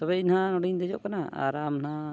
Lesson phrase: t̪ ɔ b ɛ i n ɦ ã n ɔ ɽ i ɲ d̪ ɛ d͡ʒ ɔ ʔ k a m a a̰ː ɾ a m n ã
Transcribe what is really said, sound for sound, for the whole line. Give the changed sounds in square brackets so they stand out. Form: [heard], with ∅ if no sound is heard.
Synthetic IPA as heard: t̪ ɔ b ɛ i n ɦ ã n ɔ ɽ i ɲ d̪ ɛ d͡ʒ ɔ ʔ k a [n] a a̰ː ɾ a m n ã